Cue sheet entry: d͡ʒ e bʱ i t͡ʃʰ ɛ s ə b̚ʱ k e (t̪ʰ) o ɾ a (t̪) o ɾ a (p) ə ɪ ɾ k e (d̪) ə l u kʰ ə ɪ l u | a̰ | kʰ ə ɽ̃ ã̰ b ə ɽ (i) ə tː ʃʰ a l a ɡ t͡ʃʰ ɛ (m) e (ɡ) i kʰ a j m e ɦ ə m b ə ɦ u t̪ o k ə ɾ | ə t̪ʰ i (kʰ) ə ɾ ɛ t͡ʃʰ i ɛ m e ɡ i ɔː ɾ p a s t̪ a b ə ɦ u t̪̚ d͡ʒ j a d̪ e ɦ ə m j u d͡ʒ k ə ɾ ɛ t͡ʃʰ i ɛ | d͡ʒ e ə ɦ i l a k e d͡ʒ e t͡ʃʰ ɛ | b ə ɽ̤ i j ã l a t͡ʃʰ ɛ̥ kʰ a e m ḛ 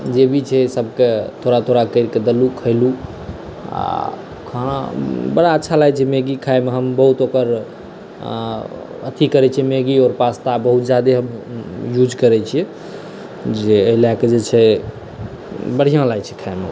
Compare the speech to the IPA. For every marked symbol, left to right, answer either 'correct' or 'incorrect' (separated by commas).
correct, incorrect, incorrect, correct, incorrect, correct, correct, incorrect